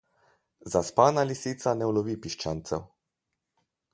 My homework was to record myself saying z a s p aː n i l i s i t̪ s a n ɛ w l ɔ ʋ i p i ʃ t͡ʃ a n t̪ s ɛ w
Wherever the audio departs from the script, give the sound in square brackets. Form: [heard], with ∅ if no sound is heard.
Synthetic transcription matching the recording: z a s p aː n [a] l i s i t̪ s a n ɛ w l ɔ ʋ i p i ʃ t͡ʃ a n t̪ s ɛ w